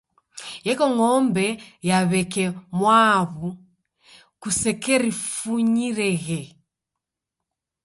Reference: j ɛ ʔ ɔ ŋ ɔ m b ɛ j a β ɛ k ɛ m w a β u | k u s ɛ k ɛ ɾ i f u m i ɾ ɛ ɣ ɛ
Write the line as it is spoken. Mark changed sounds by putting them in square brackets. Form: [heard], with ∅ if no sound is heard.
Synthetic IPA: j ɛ [k] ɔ ŋ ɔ m b ɛ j a β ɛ k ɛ m w a β u | k u s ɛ k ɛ ɾ i f u [ɲ] i ɾ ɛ ɣ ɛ

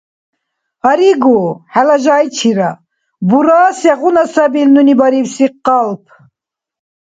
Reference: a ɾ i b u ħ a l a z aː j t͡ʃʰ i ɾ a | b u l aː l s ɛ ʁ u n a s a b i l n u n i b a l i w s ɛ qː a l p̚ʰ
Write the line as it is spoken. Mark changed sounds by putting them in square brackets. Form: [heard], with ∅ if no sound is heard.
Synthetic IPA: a ɾ i [ɡ] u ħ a l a [ʒ] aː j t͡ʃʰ i ɾ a | b u [ɾ] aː [∅] s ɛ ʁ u n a s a b i l n u n i b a [ɾ] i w s [i] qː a l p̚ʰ

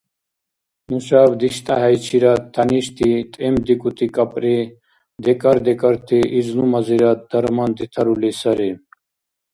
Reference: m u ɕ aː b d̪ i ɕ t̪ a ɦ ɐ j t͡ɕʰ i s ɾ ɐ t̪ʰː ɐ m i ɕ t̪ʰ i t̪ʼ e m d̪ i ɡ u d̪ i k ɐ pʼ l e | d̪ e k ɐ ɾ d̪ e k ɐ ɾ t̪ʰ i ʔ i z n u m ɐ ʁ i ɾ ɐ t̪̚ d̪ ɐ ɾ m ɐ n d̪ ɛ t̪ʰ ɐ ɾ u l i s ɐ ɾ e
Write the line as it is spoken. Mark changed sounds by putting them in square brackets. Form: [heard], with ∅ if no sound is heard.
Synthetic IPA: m u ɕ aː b d̪ i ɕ t̪ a ɦ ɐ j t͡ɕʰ i [∅] ɾ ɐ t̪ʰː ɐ [n] i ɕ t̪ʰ i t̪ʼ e m d̪ i [k] u [t̪] i k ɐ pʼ [ɾ] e | d̪ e k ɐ ɾ d̪ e k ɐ ɾ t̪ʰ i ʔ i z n u m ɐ [z] i ɾ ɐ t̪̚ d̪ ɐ ɾ m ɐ n d̪ [i] t̪ʰ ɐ ɾ u l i s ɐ ɾ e

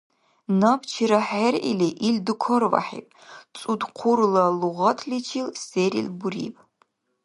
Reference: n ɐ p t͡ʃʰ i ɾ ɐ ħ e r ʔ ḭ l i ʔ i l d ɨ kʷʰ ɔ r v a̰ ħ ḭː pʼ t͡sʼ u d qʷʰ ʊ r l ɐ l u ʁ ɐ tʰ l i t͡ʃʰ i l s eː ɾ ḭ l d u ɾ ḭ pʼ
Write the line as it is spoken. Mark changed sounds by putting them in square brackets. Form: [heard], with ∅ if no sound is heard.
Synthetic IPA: n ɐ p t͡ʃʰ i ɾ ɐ ħ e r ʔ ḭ l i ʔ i l d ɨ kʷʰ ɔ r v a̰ ħ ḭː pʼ t͡sʼ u d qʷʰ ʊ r l ɐ l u ʁ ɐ tʰ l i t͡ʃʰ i l s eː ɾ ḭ l [b] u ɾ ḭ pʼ

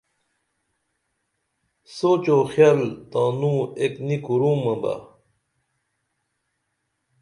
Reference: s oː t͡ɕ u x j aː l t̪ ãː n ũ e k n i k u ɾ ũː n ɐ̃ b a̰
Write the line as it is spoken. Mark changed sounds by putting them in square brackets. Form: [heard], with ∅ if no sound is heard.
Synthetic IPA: s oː t͡ɕ [o] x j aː l t̪ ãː n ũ e k n i k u ɾ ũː [m] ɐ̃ b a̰

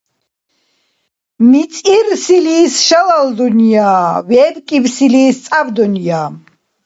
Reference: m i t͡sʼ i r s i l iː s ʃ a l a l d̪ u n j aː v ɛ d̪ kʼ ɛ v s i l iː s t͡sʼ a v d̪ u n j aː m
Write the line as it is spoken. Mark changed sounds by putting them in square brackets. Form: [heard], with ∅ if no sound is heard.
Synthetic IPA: m i t͡sʼ i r s i l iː s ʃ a l a l d̪ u n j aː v ɛ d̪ kʼ [i] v s i l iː s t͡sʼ a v d̪ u n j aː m

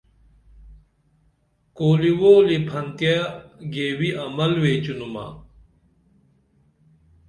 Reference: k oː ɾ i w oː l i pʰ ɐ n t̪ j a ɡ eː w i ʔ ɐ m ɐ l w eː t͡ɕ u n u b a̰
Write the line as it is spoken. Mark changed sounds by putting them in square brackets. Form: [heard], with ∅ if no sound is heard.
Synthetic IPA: k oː [l] i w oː l i pʰ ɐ n t̪ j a ɡ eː w i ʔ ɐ m ɐ l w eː t͡ɕ u n u [m] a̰

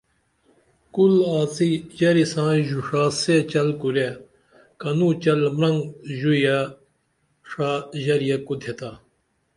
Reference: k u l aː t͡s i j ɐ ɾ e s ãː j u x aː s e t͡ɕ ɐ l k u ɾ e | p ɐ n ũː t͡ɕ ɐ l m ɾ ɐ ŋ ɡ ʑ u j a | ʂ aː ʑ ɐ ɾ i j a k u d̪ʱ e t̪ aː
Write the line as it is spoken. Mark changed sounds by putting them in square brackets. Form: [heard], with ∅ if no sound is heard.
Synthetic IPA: k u l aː t͡s i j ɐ ɾ [i] s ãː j u [ʂ] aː s e t͡ɕ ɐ l k u ɾ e | [k] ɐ n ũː t͡ɕ ɐ l m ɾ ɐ ŋ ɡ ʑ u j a | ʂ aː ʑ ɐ ɾ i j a k u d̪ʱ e t̪ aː

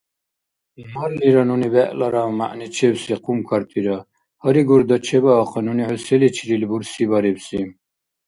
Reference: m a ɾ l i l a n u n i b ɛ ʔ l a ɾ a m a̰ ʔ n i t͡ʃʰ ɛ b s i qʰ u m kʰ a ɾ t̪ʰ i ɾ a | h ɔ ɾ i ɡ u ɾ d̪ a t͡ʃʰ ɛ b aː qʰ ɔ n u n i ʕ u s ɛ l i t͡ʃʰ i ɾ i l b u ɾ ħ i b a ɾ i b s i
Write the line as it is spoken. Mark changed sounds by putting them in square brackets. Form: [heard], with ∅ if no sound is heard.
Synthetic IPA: m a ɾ l i [ɾ] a n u n i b ɛ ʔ l a ɾ a m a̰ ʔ n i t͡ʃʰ ɛ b s i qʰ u m kʰ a ɾ t̪ʰ i ɾ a | h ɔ ɾ i ɡ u ɾ d̪ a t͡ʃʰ ɛ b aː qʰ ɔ n u n i ʕ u s ɛ l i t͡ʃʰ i ɾ i l b u ɾ [s] i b a ɾ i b s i

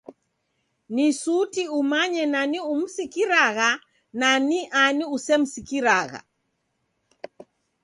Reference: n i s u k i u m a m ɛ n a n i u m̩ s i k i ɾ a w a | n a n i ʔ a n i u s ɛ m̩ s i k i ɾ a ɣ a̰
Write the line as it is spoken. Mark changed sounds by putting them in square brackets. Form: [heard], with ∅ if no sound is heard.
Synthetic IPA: n i s u [t] i u m a [ɲ] ɛ n a n i u m̩ s i k i ɾ a [ɣ] a | n a n i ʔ a n i u s ɛ m̩ s i k i ɾ a ɣ a̰

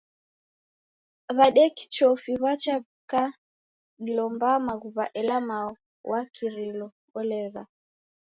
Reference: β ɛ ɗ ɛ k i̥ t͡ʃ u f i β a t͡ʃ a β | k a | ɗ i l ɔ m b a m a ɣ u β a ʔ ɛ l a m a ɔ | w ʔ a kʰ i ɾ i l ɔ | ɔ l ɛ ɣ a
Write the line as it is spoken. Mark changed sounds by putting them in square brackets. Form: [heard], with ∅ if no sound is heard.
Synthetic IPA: β [a] ɗ ɛ k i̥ t͡ʃ [ɔ] f i β a t͡ʃ a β | k a | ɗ i l ɔ m b a m a ɣ u β a ʔ ɛ l a m a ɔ | w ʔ a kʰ i ɾ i l ɔ | ɔ l ɛ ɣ a

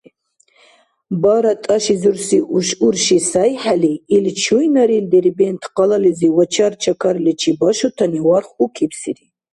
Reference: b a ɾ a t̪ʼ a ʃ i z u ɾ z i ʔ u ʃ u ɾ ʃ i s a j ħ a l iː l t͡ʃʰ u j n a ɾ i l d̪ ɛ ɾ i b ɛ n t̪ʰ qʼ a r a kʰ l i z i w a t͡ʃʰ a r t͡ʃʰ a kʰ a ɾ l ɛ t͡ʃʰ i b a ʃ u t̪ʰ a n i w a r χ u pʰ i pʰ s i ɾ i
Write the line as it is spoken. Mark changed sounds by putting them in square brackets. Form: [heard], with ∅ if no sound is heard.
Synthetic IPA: b a ɾ a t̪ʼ a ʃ i z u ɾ [s] i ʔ u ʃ u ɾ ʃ i s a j ħ a l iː l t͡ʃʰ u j n a ɾ i l d̪ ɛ ɾ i b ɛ n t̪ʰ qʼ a [l] a [∅] l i z i w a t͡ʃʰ a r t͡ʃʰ a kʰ a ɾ l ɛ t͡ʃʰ i b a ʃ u t̪ʰ a n i w a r χ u [kʰ] i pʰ s i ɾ i

